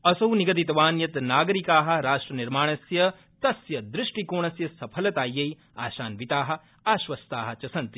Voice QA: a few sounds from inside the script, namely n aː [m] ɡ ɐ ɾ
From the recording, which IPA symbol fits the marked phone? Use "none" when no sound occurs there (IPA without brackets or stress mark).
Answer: none